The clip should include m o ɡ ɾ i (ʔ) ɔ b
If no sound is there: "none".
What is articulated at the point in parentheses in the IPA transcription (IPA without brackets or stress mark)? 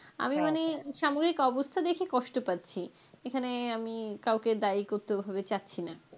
k